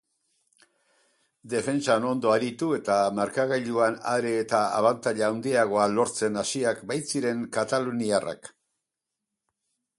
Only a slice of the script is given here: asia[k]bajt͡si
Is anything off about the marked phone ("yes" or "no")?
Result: no